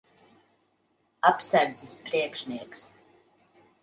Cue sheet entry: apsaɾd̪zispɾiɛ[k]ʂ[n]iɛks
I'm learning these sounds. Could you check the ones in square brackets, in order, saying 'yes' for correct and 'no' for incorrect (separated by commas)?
yes, yes